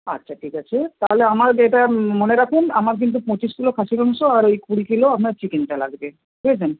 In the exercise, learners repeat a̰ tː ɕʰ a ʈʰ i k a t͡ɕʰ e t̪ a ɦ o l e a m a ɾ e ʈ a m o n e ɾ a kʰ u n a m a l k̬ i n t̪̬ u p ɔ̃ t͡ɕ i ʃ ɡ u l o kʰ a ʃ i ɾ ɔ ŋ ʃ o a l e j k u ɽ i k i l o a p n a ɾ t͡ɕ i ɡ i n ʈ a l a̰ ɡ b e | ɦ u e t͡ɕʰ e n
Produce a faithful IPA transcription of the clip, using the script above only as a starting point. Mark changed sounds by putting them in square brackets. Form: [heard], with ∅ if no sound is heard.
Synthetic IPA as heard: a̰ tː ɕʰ a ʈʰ i k a t͡ɕʰ e t̪ a ɦ o l e a m a ɾ e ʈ a m o n e ɾ a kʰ u n a m a [ɾ] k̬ i n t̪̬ u p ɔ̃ t͡ɕ i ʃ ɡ u l o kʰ a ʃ i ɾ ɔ ŋ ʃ o a [ɾ] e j k u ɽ i k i l o a p n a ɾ t͡ɕ i [k] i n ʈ a l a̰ ɡ b e | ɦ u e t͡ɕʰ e n